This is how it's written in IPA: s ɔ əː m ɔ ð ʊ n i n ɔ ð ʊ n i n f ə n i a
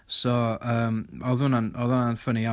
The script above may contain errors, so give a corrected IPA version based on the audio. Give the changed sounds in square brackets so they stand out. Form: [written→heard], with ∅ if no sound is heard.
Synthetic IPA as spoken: s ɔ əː m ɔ ð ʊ n [i→a] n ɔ ð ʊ n [i→a] n f ə n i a